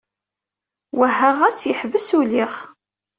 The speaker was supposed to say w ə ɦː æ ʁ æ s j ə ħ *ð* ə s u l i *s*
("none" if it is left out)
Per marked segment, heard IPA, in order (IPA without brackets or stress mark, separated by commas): v, χ